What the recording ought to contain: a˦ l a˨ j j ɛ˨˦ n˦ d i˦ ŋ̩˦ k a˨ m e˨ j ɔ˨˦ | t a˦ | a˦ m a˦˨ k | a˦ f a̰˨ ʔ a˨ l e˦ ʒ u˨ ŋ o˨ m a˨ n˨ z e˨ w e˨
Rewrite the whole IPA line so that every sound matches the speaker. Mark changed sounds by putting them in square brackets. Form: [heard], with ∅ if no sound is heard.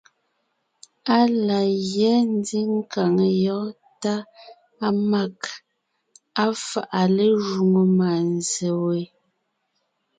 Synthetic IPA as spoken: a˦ l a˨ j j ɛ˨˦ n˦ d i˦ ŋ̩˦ k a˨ [ŋ] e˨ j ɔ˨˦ | t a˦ | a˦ m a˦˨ k | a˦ f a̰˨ ʔ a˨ l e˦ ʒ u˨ ŋ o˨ m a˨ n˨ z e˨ w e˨